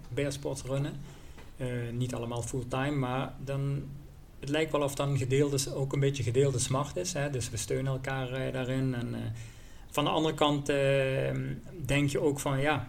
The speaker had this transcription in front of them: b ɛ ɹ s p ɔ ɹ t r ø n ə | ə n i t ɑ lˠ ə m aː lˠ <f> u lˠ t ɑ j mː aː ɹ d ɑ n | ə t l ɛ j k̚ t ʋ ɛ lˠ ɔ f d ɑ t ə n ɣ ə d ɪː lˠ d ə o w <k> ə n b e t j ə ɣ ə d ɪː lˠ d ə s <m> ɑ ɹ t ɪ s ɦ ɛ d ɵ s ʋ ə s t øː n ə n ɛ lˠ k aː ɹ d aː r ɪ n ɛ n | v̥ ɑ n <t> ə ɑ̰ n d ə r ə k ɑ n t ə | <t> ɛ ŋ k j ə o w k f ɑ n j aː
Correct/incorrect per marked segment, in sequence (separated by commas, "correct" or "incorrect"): correct, correct, correct, incorrect, incorrect